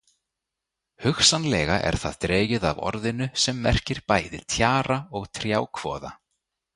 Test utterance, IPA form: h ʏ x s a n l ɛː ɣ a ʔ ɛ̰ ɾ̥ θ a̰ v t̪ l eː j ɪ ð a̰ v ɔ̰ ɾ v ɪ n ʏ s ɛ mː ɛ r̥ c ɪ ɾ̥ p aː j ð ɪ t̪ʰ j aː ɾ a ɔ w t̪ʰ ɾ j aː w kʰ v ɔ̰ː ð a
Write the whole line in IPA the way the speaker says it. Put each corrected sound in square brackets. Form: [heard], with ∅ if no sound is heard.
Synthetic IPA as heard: h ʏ x s a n l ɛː ɣ a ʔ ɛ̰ ɾ̥ θ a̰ [ð] t̪ [ɾ] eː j ɪ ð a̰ v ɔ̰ ɾ [ð] ɪ n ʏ s ɛ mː ɛ r̥ c ɪ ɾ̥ p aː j ð ɪ t̪ʰ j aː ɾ a ɔ [ɣ] t̪ʰ ɾ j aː w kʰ v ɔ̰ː ð a